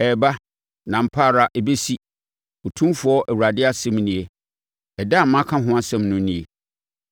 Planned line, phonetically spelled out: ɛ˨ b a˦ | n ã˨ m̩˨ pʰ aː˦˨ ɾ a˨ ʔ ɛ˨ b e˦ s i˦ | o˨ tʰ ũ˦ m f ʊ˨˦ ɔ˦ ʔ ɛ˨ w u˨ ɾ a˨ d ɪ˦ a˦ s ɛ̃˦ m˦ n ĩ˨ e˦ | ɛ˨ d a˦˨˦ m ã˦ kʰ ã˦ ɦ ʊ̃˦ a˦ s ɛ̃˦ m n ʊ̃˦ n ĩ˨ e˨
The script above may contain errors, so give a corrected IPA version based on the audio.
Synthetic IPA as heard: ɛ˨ b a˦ | n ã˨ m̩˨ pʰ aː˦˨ ɾ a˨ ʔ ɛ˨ b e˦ s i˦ | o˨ tʰ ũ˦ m f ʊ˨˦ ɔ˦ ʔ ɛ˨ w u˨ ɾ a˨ d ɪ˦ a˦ s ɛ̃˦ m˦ n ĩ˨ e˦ | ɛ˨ d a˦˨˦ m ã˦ kʰ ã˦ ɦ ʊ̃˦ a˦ s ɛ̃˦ m n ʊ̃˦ n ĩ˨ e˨